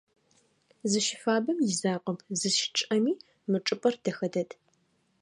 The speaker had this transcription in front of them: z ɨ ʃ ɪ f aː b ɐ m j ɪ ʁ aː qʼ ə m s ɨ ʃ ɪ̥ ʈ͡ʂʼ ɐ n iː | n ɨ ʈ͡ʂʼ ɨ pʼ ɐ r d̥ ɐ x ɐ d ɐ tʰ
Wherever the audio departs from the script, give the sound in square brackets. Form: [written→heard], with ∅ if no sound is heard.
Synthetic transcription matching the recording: z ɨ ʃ ɪ f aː b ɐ m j ɪ [ʁ→z] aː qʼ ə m [s→z] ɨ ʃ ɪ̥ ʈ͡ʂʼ ɐ [n→m] iː | [n→m] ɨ ʈ͡ʂʼ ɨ pʼ ɐ r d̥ ɐ x ɐ d ɐ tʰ